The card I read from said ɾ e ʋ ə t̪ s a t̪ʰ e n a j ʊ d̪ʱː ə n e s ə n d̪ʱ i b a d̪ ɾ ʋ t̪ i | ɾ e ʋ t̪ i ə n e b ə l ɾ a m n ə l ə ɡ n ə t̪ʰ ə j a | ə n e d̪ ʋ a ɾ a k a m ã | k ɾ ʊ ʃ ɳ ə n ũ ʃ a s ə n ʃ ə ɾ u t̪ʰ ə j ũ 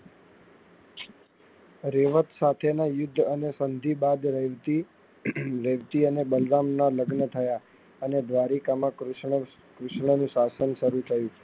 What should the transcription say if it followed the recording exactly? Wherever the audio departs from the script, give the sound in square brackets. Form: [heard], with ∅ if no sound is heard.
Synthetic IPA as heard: ɾ e ʋ ə t̪ s a t̪ʰ e n a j ʊ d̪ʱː ə n e s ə n d̪ʱ i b a d̪ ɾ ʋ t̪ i | ɾ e ʋ t̪ i ə n e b ə l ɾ a m n [a] l ə ɡ n ə t̪ʰ ə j a | ə n e d̪ ʋ a ɾ [i] k a m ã | k ɾ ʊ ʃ ɳ ə n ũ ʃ a s ə n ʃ ə ɾ u t̪ʰ ə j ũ